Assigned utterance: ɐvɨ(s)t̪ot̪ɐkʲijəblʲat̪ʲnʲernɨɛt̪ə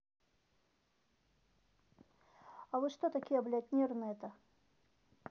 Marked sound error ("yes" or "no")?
yes